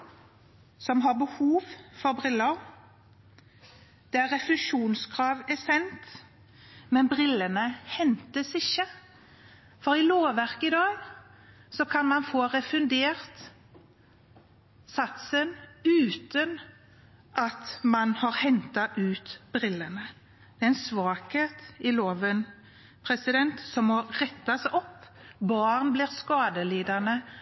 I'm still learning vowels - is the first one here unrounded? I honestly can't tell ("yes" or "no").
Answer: no